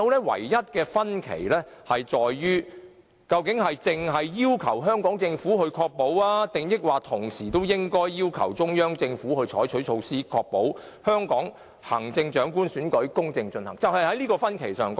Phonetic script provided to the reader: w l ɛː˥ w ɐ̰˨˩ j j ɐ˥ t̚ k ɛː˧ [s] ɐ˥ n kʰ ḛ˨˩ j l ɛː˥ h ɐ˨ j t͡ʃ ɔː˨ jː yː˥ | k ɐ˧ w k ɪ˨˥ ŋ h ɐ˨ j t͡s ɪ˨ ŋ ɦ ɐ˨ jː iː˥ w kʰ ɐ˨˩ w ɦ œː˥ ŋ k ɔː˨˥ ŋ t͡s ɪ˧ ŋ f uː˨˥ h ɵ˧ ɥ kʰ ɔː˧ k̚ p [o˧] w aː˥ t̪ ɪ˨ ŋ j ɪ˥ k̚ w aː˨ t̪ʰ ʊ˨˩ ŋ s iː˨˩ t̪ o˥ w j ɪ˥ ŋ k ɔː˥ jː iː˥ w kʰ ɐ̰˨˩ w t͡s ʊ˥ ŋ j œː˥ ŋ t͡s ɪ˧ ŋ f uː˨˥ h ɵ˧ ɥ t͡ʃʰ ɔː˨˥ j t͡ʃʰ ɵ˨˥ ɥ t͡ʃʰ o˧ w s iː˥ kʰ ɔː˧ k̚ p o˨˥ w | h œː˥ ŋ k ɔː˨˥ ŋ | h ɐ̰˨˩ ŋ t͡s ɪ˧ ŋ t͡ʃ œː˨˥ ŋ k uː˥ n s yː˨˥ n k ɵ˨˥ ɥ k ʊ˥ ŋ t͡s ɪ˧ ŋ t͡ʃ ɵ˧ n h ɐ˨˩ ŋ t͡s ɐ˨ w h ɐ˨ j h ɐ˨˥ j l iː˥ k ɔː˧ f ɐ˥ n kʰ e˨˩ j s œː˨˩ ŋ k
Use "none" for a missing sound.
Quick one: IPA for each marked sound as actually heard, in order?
f, o˨˥

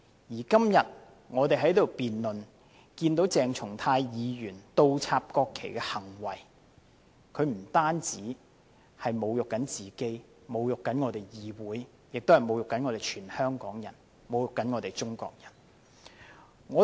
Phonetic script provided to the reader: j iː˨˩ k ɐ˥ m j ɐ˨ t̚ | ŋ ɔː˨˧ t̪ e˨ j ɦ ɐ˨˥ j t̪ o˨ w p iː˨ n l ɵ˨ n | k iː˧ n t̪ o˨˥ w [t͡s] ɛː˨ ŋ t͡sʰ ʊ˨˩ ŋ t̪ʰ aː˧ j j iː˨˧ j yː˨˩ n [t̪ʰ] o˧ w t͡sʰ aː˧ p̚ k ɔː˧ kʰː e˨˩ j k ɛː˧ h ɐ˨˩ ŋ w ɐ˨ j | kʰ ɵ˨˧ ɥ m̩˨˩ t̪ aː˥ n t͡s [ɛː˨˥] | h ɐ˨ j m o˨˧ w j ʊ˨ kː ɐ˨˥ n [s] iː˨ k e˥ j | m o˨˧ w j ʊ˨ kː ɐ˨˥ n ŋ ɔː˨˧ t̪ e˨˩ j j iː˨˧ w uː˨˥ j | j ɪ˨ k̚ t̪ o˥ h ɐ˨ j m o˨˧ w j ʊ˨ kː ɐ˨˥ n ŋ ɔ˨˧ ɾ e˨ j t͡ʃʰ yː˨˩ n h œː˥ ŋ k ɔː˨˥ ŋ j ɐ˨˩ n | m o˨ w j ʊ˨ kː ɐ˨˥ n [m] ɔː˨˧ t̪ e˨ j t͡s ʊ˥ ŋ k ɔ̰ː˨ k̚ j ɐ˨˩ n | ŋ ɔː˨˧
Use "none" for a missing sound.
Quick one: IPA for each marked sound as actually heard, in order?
t͡s, t̪, iː˨˥, t͡s, ŋ

